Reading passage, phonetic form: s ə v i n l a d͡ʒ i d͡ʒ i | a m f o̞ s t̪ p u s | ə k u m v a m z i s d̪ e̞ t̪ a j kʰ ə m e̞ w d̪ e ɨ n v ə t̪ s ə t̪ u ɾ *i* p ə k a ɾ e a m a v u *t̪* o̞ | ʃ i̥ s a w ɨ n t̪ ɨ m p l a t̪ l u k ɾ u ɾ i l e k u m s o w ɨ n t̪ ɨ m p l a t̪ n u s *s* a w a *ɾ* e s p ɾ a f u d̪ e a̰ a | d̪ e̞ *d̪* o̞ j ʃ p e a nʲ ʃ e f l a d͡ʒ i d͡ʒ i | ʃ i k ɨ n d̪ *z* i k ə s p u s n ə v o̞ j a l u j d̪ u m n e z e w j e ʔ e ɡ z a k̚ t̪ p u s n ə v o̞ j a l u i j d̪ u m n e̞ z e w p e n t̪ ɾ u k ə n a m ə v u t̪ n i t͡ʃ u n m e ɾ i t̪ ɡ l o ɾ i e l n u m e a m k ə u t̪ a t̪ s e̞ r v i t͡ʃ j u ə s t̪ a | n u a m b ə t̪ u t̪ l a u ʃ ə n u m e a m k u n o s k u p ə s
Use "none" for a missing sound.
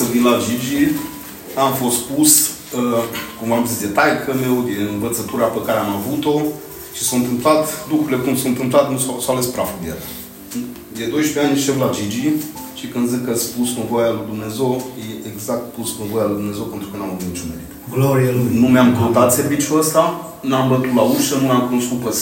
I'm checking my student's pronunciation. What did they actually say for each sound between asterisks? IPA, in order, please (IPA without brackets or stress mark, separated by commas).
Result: a, t̪, s, l, d̪, z